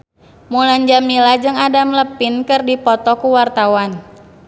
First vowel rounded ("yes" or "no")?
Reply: yes